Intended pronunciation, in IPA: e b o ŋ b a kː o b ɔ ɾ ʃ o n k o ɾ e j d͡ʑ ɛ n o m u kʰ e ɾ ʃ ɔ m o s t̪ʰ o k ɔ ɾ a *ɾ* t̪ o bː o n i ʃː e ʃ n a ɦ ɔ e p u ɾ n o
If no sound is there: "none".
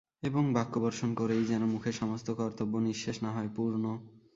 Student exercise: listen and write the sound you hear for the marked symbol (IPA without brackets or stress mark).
ɾ